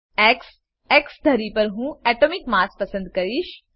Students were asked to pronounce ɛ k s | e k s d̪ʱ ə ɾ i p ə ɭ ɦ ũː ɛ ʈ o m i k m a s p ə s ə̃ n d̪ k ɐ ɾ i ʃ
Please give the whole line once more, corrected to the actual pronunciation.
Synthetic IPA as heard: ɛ k s | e k s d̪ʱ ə ɾ i p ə ɾ ɦ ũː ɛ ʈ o m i k m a s p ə s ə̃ n d̪ k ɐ ɾ i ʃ